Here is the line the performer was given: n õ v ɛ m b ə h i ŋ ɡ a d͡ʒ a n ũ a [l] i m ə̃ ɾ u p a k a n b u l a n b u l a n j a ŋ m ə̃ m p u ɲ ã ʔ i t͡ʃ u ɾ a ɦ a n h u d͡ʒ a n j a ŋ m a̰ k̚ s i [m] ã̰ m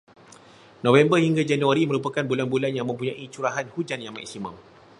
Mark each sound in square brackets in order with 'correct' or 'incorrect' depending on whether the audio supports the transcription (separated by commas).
incorrect, correct